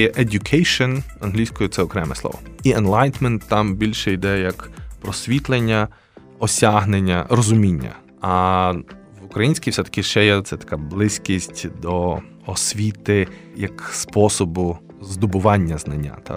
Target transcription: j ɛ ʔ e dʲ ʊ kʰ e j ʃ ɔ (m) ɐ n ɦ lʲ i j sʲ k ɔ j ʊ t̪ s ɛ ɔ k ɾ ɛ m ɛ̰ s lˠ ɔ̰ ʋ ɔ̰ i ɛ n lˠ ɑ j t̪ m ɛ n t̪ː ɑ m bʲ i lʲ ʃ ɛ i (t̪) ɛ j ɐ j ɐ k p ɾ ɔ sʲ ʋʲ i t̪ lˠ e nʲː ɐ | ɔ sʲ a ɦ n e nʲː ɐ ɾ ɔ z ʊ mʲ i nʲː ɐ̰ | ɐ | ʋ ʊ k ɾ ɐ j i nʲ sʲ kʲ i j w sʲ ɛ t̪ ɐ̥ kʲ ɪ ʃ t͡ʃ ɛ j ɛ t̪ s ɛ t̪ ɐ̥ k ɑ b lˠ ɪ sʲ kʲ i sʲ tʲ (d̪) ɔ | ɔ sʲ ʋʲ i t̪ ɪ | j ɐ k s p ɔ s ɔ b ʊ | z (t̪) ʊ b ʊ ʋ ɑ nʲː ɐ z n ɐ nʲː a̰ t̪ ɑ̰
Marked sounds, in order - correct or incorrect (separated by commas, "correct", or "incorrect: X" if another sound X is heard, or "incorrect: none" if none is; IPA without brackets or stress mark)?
incorrect: n, incorrect: d̪, correct, incorrect: d̪